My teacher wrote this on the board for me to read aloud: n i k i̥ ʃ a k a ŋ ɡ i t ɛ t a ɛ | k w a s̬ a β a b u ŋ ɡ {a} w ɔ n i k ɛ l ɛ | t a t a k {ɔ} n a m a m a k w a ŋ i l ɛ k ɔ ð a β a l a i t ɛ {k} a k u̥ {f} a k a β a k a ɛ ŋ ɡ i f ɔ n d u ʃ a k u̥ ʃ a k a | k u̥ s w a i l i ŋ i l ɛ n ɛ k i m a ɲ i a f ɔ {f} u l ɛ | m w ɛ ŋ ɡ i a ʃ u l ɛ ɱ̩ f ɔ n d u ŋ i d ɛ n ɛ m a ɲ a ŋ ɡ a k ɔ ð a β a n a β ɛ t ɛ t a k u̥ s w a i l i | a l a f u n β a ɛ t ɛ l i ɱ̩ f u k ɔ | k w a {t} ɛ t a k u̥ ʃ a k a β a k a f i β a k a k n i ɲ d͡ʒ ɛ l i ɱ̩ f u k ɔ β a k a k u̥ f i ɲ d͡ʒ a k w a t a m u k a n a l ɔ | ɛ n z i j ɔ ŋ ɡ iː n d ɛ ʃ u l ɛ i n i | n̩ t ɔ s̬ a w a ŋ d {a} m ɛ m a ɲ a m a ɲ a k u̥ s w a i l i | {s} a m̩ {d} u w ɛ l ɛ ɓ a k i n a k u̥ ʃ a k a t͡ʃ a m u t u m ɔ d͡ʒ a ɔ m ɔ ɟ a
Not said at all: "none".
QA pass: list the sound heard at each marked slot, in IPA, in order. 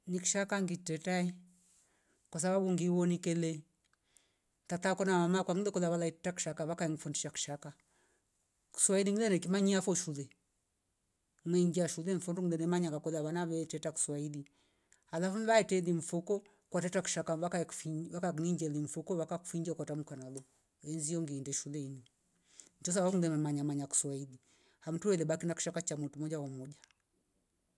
i, ɔ, t, ʃ, ʃ, t, ɛ, h, t

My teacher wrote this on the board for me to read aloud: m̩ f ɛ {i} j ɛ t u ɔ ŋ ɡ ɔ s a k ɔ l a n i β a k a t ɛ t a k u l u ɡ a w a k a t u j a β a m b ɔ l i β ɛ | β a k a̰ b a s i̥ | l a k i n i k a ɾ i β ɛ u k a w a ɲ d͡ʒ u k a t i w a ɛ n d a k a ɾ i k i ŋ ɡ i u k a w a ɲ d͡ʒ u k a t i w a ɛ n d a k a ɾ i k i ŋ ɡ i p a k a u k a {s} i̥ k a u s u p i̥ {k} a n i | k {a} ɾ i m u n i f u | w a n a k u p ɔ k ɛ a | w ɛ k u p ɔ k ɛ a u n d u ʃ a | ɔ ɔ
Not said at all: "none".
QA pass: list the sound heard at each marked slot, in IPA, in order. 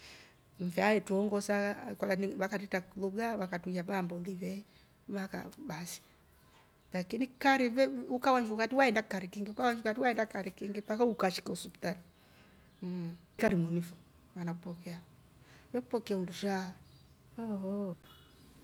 a, ʃ, t, a

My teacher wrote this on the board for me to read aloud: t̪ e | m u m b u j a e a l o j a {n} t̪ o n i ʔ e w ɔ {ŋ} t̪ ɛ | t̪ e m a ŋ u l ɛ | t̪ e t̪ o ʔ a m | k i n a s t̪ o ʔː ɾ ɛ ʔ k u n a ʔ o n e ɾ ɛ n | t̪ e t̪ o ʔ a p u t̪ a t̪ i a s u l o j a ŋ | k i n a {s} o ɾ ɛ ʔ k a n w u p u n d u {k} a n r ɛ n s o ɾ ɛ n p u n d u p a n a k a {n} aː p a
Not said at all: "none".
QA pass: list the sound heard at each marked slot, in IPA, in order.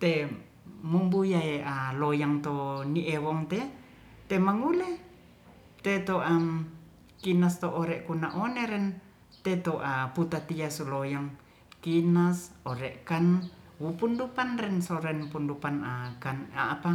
ŋ, ŋ, s, p, n

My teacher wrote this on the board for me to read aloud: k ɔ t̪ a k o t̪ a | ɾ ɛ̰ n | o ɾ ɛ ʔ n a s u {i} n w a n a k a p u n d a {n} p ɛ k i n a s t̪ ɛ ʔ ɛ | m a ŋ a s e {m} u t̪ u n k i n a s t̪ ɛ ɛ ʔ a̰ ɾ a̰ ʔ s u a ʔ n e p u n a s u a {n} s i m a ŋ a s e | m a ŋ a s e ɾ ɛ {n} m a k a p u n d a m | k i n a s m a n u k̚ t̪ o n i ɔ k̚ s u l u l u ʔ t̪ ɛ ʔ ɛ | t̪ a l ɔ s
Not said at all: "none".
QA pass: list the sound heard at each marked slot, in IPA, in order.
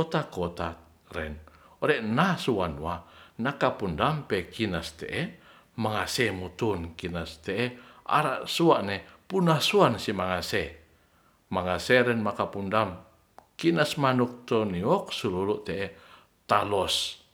a, m, m, n, n

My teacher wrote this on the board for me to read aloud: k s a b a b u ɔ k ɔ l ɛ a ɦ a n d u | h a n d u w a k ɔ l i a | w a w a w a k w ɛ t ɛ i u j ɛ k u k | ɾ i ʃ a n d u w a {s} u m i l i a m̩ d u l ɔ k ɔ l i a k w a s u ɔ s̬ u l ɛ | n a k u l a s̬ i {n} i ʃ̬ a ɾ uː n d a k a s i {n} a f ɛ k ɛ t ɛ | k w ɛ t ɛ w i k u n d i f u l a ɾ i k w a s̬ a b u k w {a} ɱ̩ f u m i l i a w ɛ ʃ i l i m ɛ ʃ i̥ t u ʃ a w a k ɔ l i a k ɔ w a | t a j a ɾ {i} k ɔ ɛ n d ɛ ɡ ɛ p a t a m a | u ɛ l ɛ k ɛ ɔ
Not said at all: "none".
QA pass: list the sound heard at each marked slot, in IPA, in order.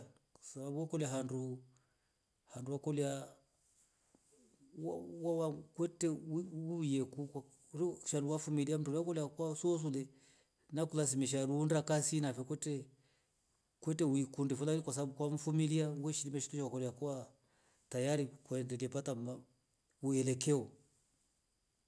f, m, n, a, i

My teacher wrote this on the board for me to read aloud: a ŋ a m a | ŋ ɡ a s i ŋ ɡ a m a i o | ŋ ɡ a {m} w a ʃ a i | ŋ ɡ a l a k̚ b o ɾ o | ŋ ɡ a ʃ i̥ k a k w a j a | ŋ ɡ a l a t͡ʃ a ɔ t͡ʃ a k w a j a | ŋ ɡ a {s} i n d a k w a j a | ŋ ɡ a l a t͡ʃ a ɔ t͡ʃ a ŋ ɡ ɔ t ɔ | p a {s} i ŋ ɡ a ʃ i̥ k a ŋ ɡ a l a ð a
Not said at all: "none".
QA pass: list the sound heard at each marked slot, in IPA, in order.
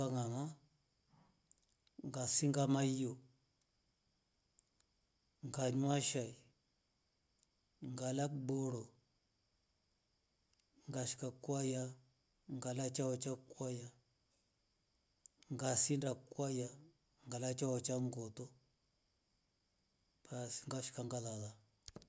ɲ, s, s

